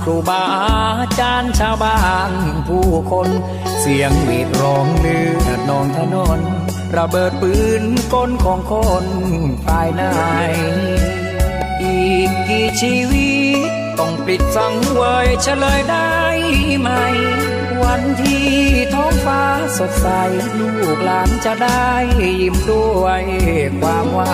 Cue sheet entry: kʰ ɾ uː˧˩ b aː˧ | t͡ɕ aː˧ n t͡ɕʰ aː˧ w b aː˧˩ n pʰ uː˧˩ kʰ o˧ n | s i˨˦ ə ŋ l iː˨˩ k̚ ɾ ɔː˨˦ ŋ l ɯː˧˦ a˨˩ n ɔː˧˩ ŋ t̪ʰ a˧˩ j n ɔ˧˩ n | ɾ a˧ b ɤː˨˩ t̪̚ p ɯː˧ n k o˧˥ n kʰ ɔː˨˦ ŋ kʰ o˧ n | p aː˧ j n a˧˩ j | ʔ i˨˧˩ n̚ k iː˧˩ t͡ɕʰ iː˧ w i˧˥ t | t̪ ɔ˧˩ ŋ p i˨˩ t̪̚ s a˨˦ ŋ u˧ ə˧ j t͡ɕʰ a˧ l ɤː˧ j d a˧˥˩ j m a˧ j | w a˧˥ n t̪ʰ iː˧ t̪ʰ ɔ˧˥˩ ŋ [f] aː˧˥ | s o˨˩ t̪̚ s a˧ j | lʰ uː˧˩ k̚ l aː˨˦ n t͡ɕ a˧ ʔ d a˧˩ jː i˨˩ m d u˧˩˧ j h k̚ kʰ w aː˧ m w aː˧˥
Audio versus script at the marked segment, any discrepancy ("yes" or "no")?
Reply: no